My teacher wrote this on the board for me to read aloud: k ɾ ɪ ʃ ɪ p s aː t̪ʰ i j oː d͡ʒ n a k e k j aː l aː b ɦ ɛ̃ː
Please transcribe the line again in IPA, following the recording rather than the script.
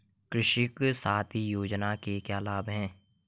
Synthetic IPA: k ɾ ɪ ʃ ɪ k s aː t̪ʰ i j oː d͡ʒ n a k e k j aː l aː b ɦ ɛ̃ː